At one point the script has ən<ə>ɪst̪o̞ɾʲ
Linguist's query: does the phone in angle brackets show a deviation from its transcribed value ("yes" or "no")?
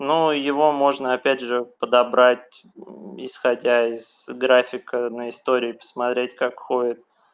no